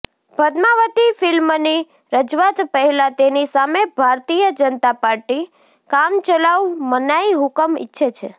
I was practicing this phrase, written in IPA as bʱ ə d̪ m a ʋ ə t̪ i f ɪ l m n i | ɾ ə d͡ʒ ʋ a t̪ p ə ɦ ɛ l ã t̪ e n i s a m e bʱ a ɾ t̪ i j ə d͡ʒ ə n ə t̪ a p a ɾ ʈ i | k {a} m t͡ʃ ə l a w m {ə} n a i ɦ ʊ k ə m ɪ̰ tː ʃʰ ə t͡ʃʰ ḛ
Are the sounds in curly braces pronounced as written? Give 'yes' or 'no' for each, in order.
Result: yes, yes

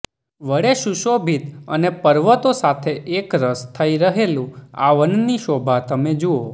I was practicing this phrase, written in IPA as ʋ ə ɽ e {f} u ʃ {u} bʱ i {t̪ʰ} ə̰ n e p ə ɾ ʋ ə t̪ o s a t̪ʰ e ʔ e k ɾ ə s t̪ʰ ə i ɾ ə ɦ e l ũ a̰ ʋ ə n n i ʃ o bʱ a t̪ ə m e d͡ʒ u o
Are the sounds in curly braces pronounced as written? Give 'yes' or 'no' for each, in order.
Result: no, no, no

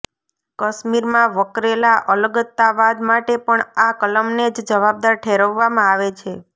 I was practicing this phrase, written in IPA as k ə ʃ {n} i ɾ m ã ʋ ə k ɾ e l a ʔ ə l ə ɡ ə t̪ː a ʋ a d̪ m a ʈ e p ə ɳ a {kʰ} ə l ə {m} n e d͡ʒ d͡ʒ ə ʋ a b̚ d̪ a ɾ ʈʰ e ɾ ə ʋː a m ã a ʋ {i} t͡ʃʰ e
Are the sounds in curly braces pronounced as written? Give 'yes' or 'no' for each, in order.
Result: no, no, yes, no

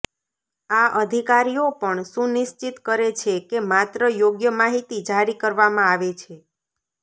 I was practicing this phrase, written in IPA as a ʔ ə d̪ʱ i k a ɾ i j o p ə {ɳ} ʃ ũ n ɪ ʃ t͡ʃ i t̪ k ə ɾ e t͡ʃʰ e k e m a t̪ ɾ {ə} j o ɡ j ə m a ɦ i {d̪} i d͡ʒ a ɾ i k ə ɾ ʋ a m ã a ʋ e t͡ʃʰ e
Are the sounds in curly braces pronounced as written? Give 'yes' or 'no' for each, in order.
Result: yes, yes, no

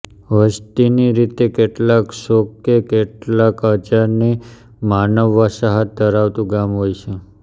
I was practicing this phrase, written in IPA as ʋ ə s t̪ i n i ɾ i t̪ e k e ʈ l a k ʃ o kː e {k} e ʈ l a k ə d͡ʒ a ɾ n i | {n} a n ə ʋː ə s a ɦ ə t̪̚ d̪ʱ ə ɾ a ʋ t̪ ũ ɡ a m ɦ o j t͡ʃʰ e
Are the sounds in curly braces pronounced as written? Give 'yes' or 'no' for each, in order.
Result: yes, no

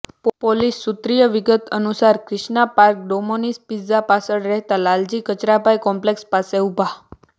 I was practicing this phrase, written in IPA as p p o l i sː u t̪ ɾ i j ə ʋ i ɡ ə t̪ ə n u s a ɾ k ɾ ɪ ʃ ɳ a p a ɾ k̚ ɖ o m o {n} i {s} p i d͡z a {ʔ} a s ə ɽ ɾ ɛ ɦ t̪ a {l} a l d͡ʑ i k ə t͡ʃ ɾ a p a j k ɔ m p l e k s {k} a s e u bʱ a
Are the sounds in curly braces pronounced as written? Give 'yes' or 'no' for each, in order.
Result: yes, yes, no, yes, no

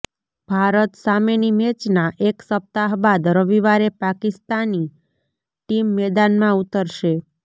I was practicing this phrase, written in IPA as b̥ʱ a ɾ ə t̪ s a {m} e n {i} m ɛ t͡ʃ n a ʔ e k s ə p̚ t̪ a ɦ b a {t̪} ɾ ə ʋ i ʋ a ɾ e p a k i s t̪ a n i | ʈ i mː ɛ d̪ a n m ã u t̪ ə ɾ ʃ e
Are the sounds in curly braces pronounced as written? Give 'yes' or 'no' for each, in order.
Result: yes, yes, no

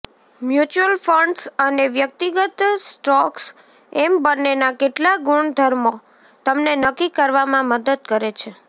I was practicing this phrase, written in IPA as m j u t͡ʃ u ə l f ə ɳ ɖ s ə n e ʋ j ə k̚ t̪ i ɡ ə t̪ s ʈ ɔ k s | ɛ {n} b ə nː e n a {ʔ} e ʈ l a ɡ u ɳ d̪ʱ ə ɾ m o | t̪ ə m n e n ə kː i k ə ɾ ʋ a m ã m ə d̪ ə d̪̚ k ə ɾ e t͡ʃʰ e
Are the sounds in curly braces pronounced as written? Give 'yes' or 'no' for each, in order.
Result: no, no

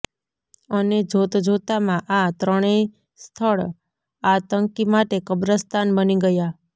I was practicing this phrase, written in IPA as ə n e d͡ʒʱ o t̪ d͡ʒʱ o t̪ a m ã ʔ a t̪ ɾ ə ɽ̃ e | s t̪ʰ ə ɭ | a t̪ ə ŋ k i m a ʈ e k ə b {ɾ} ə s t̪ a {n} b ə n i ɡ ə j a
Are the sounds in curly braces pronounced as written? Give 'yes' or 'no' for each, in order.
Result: yes, yes

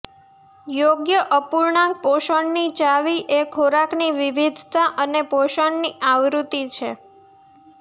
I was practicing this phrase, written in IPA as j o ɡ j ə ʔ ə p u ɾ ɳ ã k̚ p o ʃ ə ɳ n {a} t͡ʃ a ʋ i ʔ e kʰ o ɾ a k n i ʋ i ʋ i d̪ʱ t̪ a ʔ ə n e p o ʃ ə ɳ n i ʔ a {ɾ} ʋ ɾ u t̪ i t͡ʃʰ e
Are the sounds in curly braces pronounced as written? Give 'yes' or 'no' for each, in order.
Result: no, no

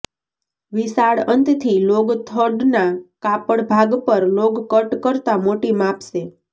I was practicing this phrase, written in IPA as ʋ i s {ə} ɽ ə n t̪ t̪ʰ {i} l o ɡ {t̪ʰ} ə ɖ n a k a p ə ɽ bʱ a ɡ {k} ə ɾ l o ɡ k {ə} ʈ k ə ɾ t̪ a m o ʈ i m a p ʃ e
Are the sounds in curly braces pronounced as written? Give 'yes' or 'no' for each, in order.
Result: no, yes, yes, no, yes

